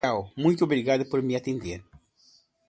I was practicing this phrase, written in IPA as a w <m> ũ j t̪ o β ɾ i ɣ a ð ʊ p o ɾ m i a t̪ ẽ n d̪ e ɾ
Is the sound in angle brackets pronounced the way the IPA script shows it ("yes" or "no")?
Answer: yes